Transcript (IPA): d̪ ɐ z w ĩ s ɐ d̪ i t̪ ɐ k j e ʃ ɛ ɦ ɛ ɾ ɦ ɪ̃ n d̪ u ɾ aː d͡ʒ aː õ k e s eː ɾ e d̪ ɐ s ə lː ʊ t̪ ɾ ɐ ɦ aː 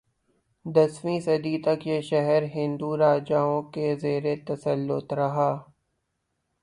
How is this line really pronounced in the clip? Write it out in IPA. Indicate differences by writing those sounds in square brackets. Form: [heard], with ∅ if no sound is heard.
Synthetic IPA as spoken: d̪ ɐ [s] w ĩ s ɐ d̪ i t̪ ɐ k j e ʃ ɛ ɦ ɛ ɾ ɦ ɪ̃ n d̪ u ɾ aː d͡ʒ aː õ k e [z] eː ɾ e [t̪] ɐ s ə lː ʊ t̪ ɾ ɐ ɦ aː